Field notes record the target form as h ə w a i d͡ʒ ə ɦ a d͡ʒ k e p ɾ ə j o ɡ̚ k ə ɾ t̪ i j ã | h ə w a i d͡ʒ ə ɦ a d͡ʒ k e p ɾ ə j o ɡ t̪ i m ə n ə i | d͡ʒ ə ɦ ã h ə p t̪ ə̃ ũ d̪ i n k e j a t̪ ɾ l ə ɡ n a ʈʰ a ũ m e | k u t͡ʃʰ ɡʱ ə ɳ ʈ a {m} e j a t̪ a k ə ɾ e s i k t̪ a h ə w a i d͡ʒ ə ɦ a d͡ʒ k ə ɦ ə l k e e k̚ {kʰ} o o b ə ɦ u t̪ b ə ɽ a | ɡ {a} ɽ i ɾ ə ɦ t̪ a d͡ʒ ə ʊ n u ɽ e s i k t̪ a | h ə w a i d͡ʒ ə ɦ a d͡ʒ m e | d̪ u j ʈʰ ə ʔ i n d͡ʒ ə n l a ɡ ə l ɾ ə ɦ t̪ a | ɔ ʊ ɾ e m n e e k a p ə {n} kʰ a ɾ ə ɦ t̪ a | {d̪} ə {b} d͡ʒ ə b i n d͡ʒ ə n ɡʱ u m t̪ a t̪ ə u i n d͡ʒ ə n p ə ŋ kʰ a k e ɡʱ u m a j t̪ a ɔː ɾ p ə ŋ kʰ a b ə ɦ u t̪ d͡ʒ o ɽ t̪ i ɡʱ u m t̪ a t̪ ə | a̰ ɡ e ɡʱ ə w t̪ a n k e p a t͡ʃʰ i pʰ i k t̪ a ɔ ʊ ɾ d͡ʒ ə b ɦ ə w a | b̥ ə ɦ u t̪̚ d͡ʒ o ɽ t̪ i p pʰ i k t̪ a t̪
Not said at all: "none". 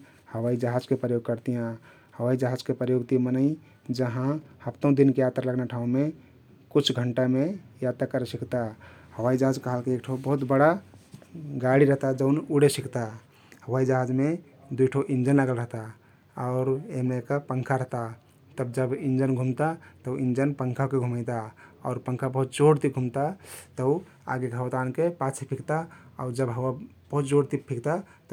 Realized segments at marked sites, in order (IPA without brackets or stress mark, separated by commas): m, ʈʰ, a, ŋ, t̪, b